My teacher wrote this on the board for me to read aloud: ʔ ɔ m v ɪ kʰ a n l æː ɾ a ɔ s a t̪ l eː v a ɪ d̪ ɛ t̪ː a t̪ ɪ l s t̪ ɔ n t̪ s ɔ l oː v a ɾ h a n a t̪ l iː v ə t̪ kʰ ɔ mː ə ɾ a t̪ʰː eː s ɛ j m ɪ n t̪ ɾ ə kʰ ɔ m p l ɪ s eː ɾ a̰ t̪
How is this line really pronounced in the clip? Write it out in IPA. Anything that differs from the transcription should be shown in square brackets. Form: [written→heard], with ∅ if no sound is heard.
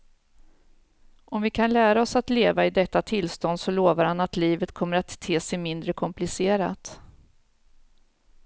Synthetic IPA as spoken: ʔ ɔ m v ɪ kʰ a n l æː ɾ a ɔ s a t̪ l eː v a ɪ d̪ ɛ t̪ː a [t̪→t̪ʰ] ɪ l s t̪ ɔ n [t̪→d̪] s ɔ l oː v a ɾ h a n a t̪ l iː v ə t̪ kʰ ɔ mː ə ɾ a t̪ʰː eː s ɛ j m ɪ n [t̪→d̪] ɾ ə kʰ ɔ m p l ɪ s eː ɾ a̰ t̪

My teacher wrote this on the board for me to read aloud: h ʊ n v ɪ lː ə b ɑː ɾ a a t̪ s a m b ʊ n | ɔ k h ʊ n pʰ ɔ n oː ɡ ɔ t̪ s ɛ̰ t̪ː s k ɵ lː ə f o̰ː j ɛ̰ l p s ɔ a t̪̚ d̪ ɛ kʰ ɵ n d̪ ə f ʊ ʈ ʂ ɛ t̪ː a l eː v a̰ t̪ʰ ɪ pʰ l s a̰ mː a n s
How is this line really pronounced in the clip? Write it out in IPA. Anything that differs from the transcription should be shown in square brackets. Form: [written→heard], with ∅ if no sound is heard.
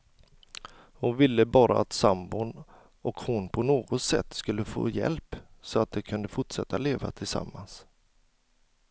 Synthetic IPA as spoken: h ʊ n v ɪ lː ə b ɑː ɾ a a t̪ s a m b ʊ n | ɔ k h ʊ n pʰ ɔ n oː ɡ ɔ t̪ s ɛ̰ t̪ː s k ɵ lː ə f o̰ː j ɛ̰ l p s ɔ a t̪̚ d̪ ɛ kʰ ɵ n d̪ ə f ʊ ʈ ʂ ɛ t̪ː a l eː v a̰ t̪ʰ ɪ [pʰ→∅] l s a̰ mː a n s

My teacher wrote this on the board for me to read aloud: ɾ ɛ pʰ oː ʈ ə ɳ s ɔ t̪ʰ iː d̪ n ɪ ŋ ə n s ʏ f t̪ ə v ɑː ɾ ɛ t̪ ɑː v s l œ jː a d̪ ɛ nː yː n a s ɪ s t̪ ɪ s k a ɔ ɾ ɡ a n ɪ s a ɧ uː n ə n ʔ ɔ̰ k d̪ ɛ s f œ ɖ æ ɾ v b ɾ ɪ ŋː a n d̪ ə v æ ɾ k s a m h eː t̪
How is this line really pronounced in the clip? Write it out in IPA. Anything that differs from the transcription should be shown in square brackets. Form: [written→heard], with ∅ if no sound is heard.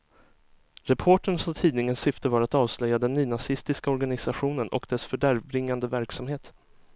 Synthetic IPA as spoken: ɾ ɛ pʰ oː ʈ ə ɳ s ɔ t̪ʰ iː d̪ n ɪ ŋ ə n s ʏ f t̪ ə v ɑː ɾ [ɛ→a] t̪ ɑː v s l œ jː a d̪ ɛ nː yː n a s ɪ s t̪ ɪ s k a ɔ ɾ ɡ a n ɪ s a ɧ uː n ə n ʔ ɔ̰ k d̪ ɛ s f œ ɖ æ ɾ v b ɾ ɪ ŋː a n d̪ ə v æ ɾ k s a m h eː t̪

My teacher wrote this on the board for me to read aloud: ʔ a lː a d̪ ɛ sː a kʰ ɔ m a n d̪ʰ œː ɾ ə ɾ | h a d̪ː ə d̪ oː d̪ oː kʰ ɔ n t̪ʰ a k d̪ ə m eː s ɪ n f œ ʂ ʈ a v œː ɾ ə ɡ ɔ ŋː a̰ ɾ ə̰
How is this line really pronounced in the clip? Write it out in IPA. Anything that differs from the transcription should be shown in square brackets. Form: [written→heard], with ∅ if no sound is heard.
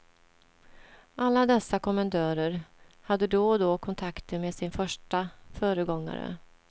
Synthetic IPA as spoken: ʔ a lː a d̪ ɛ sː a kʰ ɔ m a n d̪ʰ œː ɾ ə ɾ | h a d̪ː ə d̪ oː d̪ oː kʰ ɔ n t̪ʰ a k [d̪→t̪] ə m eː s ɪ n f œ ʂ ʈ a [v→f] œː ɾ ə ɡ ɔ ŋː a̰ ɾ ə̰

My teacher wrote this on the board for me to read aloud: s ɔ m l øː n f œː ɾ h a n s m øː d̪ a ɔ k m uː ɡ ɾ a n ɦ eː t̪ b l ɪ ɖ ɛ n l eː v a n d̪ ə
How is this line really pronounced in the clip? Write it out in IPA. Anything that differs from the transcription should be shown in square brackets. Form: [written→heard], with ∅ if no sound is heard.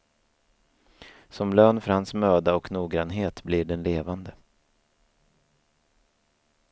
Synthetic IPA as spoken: s ɔ m l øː n f [œː→œ] ɾ h a n s m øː d̪ a ɔ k [m→n] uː ɡ ɾ a n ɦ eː t̪ b l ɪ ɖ ɛ n l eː v a n d̪ ə

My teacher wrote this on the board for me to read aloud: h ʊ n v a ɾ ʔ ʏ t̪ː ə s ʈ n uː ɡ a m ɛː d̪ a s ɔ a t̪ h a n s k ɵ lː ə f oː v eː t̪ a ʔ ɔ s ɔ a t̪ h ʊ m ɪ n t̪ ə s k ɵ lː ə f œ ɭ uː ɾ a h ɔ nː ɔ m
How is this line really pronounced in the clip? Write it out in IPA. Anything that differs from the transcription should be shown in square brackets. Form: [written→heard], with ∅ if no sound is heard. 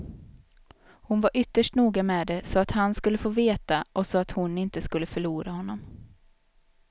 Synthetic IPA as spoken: h ʊ n v a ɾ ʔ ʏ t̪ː ə [s→ʂ] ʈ n uː ɡ a m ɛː d̪ [a→ɛ] s ɔ a t̪ h a n s k ɵ lː ə f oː v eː t̪ a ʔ ɔ s ɔ a t̪ h ʊ [m→n] ɪ n t̪ ə s k ɵ lː ə f œ ɭ uː ɾ a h ɔ nː ɔ m

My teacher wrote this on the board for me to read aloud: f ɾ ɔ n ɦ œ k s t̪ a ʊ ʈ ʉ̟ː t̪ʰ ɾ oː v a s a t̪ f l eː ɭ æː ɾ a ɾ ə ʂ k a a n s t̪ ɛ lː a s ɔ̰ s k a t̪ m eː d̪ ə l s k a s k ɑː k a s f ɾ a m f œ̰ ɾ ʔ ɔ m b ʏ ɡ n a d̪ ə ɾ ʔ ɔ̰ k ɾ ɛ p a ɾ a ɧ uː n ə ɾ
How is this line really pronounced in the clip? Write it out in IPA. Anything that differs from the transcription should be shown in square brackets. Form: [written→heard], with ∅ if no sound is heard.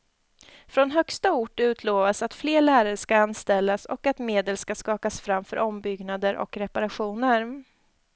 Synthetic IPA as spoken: f ɾ ɔ n ɦ œ k s t̪ a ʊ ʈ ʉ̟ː t̪ʰ [ɾ→l] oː v a s a t̪ f l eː ɭ æː ɾ a ɾ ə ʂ k a a n s t̪ ɛ lː a s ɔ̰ [s→∅] k a t̪ m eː d̪ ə l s k a s k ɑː k a s f ɾ a m f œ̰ ɾ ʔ ɔ m b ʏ ɡ n a d̪ ə ɾ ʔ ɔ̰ k ɾ ɛ p a ɾ a ɧ uː n ə ɾ

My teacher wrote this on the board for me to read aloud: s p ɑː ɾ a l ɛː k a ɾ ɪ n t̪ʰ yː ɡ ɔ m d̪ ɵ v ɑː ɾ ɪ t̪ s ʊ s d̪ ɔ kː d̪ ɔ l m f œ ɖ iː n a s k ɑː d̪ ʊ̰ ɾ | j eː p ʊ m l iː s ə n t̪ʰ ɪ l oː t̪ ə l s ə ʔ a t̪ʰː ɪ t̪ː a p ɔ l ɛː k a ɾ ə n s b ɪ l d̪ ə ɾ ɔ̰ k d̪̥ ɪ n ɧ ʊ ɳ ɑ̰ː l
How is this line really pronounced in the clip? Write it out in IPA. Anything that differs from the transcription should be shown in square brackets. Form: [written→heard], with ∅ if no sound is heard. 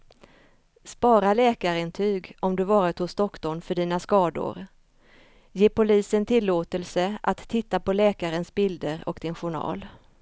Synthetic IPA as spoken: s p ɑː ɾ a l ɛː k a ɾ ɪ n t̪ʰ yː ɡ ɔ m d̪ ɵ v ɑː ɾ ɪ t̪ [s→h] ʊ s d̪ ɔ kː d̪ ɔ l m f œ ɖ iː n a s k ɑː d̪ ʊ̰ ɾ | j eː p ʊ [m→∅] l iː s ə n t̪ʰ ɪ [l→lː] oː t̪ ə l s ə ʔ a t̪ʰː ɪ t̪ː a p ɔ l ɛː k a ɾ ə n s b ɪ l d̪ ə ɾ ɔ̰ k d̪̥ ɪ n ɧ ʊ ɳ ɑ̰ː l

